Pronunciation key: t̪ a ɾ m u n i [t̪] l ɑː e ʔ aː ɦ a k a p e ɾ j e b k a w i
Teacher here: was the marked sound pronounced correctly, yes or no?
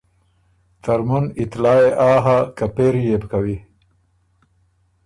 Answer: yes